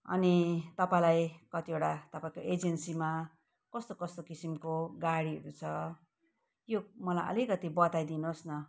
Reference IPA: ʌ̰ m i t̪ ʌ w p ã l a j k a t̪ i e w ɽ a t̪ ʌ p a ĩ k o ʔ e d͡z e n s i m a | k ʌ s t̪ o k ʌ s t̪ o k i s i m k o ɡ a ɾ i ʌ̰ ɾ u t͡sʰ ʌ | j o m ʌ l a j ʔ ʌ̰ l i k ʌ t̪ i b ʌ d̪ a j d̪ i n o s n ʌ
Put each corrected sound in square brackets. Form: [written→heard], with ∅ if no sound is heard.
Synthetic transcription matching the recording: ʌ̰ [m→n] i t̪ ʌ [w→∅] p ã l a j k [a→ʌ] t̪ i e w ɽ a t̪ ʌ p a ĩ k o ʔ e d͡z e n s i m a | k ʌ s t̪ o k ʌ s t̪ o k i s i m k o ɡ a [ɾ→ɽ] i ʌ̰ ɾ u t͡sʰ ʌ | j o m ʌ l a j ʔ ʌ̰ l i k ʌ t̪ i b ʌ [d̪→t̪] a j d̪ i n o s n ʌ